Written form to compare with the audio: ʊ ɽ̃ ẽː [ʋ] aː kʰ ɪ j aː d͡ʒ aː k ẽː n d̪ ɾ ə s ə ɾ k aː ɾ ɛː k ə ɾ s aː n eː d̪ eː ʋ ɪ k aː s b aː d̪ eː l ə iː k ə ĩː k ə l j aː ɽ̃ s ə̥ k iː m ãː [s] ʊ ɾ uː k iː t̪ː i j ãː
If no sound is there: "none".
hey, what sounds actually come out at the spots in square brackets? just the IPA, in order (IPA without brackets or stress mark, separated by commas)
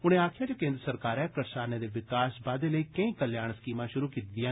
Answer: none, ʃ